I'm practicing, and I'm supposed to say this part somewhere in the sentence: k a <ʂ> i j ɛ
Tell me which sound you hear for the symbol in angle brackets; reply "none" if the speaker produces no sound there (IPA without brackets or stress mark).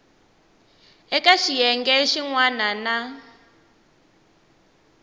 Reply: ʃ